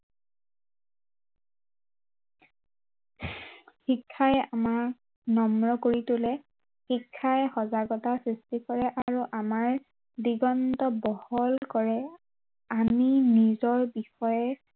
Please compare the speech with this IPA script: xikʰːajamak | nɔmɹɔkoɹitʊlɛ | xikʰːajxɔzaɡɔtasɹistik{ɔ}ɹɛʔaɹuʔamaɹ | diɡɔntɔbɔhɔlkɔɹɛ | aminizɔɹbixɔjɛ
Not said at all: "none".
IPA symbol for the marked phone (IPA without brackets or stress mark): ɔ